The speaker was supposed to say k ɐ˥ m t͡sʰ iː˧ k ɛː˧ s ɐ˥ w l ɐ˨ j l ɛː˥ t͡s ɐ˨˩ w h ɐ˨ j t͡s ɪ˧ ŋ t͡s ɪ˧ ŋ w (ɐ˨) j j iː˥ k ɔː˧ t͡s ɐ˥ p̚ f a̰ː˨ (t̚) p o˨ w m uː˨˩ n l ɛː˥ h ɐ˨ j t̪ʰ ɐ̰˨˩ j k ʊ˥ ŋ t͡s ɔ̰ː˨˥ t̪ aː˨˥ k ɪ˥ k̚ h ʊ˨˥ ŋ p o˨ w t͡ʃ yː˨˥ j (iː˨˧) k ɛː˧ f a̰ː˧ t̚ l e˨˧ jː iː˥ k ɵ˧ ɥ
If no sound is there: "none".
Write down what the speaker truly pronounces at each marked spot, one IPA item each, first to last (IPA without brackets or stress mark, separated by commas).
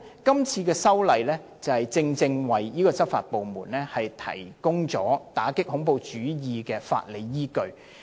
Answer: ɐ˨, t̚, iː˨˧